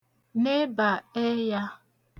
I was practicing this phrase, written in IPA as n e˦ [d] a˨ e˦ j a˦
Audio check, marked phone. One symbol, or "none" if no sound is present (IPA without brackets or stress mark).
b